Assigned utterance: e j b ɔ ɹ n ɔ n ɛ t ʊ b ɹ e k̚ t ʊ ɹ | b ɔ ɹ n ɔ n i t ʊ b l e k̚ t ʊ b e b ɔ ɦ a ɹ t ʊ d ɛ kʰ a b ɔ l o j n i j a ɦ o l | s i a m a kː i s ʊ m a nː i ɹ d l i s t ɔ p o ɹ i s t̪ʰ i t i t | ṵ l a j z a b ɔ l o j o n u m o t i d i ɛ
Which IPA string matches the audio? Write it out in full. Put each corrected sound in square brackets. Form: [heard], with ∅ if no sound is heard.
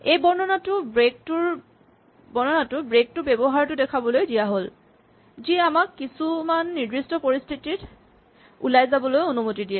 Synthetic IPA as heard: e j b ɔ ɹ n ɔ n [a] t ʊ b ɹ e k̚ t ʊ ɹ | b ɔ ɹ n ɔ n [a] t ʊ b [ɹ] e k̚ t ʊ b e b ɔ ɦ a ɹ t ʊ d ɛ kʰ a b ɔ l o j [d] i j a ɦ o l | [z] i a m a kː i s [u] m a nː i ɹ d [ɹ] i s t ɔ p o ɹ i s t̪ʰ i t i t | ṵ l a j z a b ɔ l o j o n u m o t i d i ɛ